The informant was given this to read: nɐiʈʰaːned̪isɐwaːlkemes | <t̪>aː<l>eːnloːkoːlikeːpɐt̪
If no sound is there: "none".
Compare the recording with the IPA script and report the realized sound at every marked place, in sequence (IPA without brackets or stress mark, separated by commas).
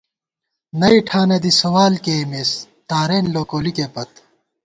t̪, ɾ